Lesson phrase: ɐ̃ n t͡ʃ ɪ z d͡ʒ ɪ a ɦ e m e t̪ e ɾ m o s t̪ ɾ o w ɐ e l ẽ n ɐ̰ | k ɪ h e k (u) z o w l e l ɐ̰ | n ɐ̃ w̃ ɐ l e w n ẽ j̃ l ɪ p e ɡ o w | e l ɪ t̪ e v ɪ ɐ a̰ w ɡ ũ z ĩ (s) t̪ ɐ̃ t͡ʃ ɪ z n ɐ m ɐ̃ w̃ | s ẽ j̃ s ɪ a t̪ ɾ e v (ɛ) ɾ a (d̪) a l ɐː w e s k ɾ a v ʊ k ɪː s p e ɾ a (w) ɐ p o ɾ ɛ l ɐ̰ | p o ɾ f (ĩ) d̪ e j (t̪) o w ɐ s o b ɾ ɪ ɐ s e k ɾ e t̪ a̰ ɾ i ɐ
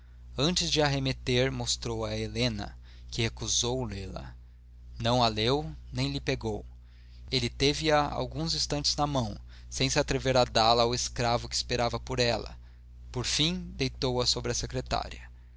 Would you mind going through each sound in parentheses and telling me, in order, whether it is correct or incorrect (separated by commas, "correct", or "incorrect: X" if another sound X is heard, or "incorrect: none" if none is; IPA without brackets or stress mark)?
correct, correct, incorrect: e, correct, incorrect: v, correct, correct